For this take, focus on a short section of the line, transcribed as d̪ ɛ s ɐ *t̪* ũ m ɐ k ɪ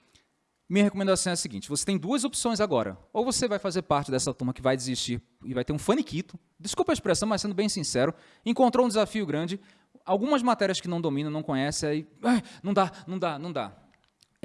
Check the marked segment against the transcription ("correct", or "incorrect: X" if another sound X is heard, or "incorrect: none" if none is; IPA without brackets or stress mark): correct